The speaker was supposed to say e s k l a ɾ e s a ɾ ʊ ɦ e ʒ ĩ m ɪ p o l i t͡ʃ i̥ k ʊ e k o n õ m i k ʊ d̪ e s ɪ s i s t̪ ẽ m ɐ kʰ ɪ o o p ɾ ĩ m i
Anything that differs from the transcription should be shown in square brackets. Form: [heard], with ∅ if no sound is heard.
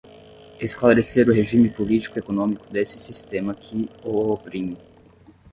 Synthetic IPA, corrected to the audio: e s k l a ɾ e s [e] ɾ ʊ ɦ e ʒ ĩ m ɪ p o l i t͡ʃ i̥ k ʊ e k o n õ m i k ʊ d̪ e s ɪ s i s t̪ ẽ m ɐ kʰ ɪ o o p ɾ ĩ m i